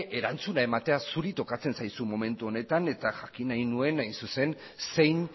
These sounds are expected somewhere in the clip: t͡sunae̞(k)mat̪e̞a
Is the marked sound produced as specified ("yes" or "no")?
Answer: no